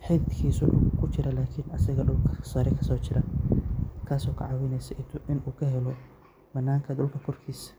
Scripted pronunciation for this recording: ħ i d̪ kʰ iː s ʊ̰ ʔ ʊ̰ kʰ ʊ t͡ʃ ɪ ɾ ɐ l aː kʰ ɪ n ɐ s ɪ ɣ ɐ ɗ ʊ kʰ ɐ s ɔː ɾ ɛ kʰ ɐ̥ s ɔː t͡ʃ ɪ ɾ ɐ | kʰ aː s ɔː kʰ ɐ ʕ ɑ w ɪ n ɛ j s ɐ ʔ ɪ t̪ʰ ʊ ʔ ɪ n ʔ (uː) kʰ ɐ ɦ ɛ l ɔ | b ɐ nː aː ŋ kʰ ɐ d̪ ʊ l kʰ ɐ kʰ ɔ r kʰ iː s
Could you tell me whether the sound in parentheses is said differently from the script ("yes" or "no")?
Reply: no